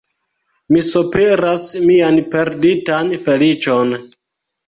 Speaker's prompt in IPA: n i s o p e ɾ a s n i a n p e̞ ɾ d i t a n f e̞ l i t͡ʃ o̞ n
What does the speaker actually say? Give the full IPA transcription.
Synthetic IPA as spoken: m i s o p e ɾ a s m i a n p e̞ ɾ d i t a n f e̞ l i t͡ʃ o̞ n